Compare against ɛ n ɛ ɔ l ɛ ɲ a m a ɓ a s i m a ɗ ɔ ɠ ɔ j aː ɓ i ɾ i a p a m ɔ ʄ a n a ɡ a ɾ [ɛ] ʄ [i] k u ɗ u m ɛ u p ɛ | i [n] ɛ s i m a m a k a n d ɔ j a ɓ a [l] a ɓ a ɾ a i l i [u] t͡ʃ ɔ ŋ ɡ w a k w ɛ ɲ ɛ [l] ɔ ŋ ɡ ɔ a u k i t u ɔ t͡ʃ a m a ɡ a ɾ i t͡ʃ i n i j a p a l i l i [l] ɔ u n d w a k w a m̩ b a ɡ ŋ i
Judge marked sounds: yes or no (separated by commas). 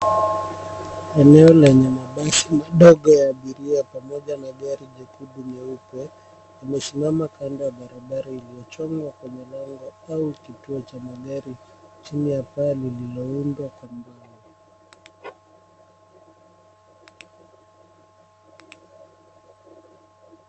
no, no, no, no, no, yes, yes